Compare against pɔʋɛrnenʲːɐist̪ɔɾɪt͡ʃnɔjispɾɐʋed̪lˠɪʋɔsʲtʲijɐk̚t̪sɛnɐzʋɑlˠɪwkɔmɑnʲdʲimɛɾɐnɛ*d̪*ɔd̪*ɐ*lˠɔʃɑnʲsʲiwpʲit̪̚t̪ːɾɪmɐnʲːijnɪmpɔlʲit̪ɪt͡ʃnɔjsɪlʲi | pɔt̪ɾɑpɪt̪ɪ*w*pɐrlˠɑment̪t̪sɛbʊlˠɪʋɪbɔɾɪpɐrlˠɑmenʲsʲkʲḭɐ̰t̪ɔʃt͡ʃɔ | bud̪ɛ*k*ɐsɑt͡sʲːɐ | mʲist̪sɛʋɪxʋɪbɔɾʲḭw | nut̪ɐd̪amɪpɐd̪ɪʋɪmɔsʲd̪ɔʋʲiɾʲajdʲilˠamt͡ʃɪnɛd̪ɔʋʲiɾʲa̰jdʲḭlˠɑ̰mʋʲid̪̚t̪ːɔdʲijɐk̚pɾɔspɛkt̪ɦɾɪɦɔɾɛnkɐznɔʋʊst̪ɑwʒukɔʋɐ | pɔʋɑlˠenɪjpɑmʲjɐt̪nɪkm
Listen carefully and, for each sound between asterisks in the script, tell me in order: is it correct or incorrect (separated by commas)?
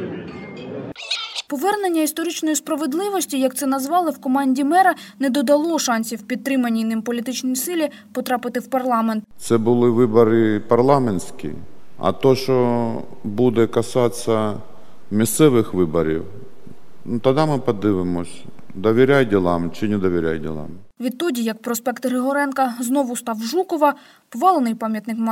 correct, correct, correct, correct